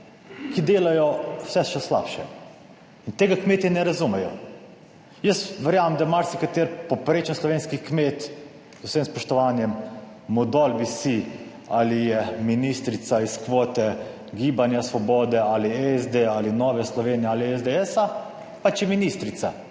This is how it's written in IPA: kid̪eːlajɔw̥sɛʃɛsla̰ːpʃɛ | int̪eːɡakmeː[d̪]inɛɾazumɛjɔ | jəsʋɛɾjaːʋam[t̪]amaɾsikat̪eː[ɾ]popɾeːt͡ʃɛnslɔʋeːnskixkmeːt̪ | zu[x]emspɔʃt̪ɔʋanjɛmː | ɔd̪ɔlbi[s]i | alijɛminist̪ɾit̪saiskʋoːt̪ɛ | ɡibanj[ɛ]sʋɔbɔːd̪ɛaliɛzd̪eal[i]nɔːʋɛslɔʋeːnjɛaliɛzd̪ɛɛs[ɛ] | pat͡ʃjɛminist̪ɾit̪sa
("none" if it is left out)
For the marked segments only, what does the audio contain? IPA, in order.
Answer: t̪, d̪, ɾ, s, s, a, i, a

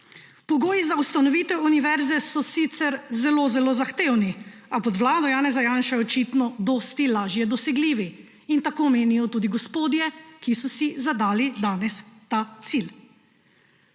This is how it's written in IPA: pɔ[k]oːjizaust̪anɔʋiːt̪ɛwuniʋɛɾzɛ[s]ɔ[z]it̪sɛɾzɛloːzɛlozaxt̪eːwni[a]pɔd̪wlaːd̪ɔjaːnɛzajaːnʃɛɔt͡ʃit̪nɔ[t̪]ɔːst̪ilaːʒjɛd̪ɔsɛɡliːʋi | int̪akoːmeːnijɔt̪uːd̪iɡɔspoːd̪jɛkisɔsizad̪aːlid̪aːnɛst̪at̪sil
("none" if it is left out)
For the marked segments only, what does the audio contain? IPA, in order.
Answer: ɡ, s, s, a, d̪

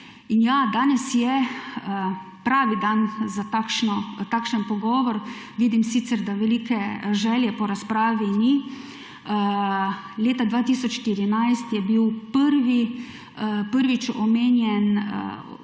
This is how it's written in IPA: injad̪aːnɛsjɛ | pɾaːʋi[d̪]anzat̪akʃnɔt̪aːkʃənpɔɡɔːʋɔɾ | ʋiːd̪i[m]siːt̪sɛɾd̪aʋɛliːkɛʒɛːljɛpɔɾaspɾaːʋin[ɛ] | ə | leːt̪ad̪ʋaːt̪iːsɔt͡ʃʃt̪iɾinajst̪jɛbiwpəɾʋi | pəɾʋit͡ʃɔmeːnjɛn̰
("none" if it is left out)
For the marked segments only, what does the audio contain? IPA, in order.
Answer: d̪, m, i

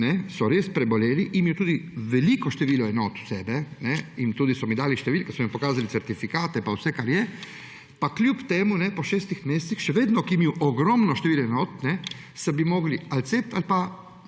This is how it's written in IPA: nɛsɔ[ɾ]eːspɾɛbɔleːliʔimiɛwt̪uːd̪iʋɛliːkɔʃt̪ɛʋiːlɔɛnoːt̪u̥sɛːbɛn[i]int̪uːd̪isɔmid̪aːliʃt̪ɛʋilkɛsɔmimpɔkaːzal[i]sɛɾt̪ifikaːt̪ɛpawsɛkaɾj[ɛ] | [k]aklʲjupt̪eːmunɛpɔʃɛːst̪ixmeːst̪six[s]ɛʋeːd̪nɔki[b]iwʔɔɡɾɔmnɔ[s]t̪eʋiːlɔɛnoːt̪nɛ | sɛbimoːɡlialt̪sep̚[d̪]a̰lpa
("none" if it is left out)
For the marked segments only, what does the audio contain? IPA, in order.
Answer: ɾ, ɛ, i, ɛ, p, ʃ, m, ʃ, t̪

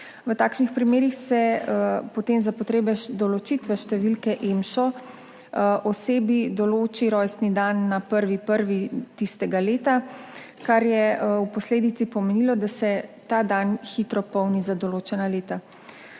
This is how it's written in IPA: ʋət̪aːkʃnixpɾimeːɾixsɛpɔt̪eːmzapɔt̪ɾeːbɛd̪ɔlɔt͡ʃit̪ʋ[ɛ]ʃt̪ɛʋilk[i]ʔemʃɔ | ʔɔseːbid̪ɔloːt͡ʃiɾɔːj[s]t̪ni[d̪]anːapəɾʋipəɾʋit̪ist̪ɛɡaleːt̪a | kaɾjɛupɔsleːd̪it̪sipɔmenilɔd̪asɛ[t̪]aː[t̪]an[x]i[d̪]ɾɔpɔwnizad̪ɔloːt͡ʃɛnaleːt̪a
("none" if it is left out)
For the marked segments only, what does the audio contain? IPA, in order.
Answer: ɛ, ɛ, s, d̪, t̪, d̪, x, t̪

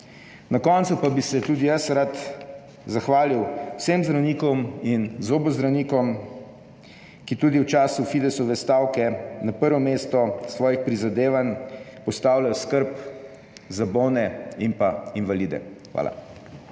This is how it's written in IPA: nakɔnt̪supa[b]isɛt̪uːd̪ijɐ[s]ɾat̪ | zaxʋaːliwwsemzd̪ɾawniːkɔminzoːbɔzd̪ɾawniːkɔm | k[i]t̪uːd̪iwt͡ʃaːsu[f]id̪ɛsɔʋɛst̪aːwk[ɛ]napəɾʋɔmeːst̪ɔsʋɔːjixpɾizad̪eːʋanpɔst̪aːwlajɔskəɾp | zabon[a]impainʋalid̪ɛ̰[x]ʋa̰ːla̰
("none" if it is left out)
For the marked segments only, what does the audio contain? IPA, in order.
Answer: b, s, i, f, ɛ, ɛ, x

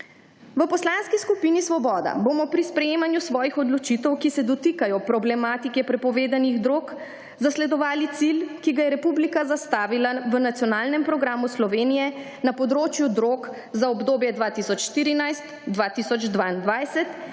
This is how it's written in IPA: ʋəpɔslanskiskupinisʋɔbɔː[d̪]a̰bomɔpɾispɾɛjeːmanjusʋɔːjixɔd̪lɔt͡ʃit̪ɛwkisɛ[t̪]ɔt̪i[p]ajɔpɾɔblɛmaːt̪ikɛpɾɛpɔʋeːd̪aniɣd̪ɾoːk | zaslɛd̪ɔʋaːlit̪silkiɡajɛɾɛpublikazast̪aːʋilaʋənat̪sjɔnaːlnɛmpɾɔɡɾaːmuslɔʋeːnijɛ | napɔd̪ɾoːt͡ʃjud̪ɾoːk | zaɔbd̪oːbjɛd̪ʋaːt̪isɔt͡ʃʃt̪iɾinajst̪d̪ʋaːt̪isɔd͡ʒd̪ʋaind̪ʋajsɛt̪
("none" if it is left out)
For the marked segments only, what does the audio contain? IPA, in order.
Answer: d̪, d̪, k

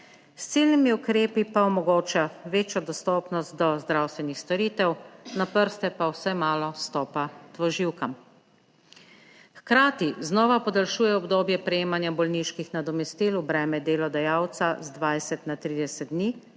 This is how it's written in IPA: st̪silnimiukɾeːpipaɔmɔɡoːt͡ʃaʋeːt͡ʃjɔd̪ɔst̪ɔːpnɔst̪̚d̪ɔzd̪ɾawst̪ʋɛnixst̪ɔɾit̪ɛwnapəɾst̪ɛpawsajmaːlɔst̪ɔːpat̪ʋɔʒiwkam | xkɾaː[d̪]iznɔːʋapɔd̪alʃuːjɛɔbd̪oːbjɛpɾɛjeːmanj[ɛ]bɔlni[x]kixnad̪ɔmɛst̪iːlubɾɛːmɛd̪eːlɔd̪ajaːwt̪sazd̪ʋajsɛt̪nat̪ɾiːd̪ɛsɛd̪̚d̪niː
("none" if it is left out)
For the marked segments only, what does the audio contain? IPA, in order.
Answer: t̪, a, ʃ

